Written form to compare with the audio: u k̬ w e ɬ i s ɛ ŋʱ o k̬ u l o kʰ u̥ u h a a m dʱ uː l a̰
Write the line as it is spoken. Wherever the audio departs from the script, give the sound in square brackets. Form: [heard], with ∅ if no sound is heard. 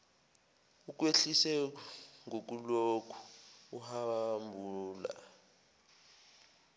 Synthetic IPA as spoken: u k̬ w e ɬ i s ɛ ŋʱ o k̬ u l o kʰ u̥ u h a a m [bʱ] uː l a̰